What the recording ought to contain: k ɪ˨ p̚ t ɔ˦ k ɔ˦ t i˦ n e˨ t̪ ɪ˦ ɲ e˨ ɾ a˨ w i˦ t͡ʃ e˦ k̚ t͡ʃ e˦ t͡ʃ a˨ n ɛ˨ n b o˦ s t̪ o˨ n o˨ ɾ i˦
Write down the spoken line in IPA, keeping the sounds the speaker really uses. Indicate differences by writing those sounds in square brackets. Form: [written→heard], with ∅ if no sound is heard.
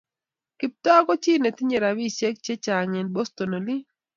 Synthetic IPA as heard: k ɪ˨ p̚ t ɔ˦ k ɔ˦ [t→t͡ʃ] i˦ n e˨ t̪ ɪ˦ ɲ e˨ ɾ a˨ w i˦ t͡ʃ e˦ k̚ t͡ʃ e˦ t͡ʃ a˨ [n→ŋ] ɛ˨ n b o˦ s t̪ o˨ n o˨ [ɾ→l] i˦